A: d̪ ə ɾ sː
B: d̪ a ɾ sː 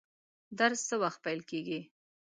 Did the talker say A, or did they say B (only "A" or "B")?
B